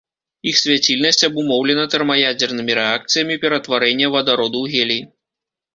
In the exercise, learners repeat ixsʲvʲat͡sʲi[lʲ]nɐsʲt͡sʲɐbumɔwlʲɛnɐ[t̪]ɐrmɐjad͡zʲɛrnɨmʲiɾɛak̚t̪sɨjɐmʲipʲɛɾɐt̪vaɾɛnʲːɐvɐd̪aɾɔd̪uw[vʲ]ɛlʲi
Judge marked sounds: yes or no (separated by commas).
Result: yes, yes, no